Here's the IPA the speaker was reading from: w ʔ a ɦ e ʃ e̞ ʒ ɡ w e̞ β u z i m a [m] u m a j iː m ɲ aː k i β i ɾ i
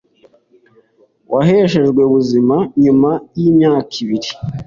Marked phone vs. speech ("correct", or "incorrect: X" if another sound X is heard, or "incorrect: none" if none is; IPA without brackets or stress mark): incorrect: ɲ